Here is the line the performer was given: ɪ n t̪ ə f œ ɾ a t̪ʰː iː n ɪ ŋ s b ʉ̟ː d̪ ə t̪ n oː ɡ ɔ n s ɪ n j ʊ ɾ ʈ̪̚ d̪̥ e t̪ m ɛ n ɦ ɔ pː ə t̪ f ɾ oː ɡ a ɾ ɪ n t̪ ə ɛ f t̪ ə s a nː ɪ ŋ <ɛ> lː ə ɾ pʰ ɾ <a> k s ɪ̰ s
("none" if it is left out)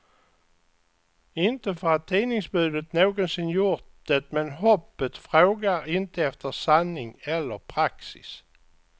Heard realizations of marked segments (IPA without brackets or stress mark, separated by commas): ɛ, a